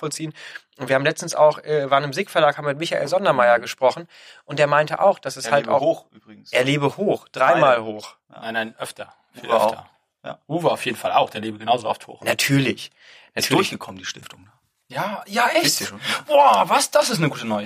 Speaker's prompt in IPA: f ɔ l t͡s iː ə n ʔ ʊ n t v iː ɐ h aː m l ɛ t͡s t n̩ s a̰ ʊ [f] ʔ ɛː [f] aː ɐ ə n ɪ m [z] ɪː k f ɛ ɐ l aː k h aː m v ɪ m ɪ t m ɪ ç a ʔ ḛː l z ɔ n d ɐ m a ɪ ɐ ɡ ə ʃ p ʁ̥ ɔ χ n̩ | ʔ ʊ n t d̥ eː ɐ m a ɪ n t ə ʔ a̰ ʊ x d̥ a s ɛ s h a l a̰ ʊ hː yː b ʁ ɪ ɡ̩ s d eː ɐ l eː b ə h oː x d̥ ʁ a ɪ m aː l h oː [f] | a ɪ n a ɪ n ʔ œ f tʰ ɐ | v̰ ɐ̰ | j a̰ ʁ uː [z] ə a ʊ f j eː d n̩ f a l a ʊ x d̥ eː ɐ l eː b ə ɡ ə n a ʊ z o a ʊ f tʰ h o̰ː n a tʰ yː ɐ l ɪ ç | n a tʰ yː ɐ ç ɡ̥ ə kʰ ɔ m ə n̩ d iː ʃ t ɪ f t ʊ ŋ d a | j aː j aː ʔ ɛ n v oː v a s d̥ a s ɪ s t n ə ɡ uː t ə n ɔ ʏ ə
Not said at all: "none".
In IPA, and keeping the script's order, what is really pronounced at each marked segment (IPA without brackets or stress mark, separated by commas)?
x, v, z, x, v